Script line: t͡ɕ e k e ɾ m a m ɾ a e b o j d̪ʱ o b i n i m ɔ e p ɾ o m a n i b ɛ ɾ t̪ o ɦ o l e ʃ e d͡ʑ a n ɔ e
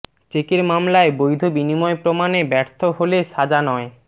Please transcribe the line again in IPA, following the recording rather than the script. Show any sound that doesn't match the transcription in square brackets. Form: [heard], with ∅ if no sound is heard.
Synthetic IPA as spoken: t͡ɕ e k e ɾ m a m [l] a e b o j d̪ʱ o b i n i m ɔ e p ɾ o m a n [e] b ɛ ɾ [t̪ʰ] o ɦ o l e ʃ [a] d͡ʑ a n ɔ e